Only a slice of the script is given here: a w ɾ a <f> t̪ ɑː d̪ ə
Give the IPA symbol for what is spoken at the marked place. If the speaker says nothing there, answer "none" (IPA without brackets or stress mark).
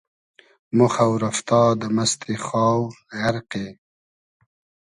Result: f